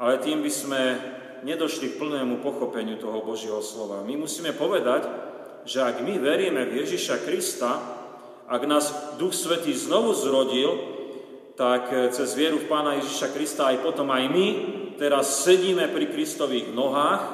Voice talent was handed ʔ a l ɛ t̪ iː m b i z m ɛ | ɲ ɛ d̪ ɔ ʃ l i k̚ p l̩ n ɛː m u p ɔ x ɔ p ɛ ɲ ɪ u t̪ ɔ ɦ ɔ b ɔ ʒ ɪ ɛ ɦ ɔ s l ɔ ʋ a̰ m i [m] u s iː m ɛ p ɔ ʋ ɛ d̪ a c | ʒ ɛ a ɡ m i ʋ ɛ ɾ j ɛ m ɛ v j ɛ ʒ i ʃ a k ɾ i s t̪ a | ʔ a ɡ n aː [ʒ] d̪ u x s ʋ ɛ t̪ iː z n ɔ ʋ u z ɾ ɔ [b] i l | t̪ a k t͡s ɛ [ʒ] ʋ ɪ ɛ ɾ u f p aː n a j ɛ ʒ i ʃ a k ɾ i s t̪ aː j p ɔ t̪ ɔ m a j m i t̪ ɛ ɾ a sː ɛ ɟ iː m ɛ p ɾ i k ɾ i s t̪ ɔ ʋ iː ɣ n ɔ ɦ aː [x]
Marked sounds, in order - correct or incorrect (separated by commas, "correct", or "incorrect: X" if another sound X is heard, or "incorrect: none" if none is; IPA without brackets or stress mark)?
correct, incorrect: z, incorrect: ɟ, incorrect: z, correct